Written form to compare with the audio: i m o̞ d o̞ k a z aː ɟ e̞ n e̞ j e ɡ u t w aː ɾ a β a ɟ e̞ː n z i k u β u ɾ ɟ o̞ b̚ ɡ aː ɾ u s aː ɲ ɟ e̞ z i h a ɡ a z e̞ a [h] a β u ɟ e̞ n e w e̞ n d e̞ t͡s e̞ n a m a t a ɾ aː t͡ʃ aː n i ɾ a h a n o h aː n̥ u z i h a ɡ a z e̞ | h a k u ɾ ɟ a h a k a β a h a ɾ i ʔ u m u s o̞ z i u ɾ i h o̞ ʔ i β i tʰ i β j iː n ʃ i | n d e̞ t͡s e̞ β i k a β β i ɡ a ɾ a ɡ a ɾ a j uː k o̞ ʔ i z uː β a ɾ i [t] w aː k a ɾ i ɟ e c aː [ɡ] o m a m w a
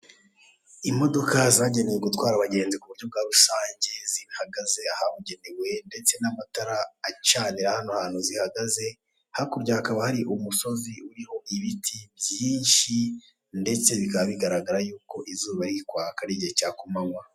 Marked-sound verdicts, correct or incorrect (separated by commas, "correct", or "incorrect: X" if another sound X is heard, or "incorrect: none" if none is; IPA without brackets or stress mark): correct, incorrect: k, incorrect: k